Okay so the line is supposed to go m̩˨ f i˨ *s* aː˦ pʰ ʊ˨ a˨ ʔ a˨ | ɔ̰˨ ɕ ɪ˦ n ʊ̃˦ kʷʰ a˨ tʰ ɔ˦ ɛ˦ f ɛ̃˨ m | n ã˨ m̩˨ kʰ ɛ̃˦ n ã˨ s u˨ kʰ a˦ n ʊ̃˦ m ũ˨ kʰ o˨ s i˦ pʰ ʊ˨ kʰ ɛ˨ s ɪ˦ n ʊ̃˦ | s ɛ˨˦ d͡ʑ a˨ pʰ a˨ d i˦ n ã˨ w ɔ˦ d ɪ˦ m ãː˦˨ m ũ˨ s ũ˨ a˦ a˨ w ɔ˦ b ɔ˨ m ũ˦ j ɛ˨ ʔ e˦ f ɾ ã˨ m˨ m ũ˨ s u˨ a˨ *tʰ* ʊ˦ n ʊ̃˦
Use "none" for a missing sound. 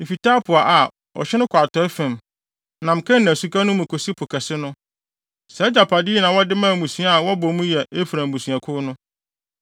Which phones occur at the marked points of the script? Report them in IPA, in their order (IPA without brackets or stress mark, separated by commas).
t, kʰ